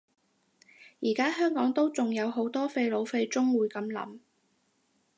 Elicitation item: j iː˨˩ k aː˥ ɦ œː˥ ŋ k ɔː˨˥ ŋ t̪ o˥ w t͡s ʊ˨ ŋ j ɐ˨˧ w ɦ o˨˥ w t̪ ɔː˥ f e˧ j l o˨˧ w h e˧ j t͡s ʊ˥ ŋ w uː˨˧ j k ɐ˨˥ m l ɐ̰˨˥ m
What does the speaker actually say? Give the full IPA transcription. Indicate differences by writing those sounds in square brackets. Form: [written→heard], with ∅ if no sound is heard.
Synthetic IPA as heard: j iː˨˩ k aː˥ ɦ œː˥ ŋ k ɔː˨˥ ŋ t̪ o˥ w t͡s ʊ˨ ŋ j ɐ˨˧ w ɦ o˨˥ w t̪ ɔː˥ f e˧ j l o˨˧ w [h→f] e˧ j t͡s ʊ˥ ŋ w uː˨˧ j k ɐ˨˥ m l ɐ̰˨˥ m